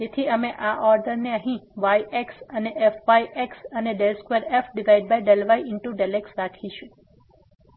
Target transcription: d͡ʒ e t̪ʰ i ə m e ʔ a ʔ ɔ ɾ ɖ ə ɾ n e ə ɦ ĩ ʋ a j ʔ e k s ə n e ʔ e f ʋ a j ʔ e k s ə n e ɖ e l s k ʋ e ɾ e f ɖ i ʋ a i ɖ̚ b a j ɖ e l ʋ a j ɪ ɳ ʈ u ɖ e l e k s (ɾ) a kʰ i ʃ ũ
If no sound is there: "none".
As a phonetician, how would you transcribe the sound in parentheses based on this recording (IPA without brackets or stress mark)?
ɾ